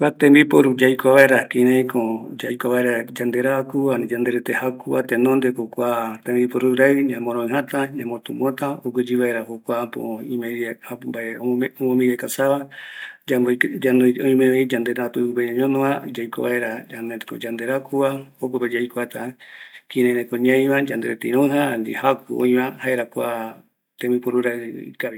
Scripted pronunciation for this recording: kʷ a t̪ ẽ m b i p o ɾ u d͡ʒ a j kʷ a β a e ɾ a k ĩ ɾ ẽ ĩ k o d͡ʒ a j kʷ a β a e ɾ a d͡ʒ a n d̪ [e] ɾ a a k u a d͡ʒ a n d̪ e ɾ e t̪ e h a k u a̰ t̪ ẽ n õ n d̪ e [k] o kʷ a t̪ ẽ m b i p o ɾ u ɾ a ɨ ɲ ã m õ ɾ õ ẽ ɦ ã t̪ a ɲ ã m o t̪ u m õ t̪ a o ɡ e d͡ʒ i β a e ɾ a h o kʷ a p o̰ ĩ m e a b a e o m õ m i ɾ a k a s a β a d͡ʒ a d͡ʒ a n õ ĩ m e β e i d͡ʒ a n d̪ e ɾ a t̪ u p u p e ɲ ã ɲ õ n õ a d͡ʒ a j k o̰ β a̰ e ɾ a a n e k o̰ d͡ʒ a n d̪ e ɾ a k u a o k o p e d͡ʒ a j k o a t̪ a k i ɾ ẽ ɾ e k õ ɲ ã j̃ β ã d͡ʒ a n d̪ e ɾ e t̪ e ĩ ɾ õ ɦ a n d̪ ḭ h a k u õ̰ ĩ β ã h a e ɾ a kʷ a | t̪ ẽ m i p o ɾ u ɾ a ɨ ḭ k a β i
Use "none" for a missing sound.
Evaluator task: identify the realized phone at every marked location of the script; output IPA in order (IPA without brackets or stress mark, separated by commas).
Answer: e, k